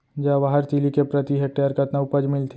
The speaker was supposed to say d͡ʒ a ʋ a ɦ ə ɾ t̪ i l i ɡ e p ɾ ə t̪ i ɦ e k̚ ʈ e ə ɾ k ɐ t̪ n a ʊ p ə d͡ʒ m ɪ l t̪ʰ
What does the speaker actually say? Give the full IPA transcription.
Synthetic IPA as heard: d͡ʒ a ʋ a ɦ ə ɾ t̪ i l i k e p ɾ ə t̪ i ɦ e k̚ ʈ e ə ɾ k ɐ t̪ n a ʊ p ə d͡ʒ m ɪ l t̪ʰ